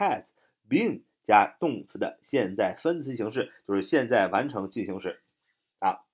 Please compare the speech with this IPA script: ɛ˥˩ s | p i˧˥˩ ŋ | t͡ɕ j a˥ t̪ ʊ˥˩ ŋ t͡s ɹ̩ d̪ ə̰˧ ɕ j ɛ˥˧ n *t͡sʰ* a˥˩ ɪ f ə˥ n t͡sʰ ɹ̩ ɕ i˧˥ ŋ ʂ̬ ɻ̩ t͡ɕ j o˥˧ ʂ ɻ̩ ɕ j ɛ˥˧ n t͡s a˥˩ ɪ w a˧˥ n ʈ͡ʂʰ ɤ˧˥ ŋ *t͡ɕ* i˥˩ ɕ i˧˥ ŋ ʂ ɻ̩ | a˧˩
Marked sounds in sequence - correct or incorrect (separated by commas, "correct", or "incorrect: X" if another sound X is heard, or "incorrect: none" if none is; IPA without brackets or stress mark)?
incorrect: t͡s, correct